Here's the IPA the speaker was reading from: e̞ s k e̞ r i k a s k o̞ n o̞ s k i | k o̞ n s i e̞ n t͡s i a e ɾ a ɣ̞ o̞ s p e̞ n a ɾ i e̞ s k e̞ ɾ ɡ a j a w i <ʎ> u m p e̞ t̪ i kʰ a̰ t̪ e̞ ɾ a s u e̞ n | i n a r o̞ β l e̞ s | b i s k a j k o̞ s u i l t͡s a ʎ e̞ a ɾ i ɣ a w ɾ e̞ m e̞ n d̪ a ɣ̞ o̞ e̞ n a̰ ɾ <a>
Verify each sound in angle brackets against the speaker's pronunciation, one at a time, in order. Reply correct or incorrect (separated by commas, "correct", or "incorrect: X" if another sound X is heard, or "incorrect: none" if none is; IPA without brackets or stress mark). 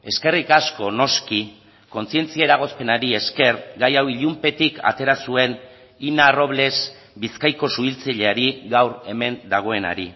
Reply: correct, incorrect: i